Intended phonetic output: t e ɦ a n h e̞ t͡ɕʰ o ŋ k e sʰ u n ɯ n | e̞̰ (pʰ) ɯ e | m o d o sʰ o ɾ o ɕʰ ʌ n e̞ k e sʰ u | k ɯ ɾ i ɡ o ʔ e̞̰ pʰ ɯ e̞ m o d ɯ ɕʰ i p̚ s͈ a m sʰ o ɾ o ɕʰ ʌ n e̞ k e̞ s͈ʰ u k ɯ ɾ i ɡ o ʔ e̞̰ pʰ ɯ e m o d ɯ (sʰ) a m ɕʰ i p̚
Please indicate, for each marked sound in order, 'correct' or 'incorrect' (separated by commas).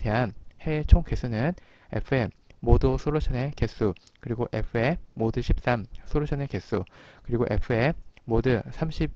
correct, correct